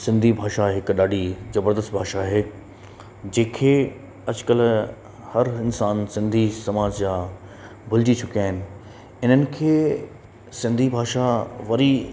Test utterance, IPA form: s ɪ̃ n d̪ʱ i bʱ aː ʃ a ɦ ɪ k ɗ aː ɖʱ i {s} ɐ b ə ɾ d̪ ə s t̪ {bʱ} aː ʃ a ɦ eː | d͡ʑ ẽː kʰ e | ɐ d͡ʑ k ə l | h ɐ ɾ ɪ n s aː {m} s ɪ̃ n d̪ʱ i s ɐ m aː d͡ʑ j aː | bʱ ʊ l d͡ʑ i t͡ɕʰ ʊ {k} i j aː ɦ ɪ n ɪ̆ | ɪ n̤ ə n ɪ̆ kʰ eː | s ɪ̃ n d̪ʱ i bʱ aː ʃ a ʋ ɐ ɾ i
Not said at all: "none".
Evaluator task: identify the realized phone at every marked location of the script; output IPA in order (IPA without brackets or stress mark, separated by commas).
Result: z, bʱ, n, k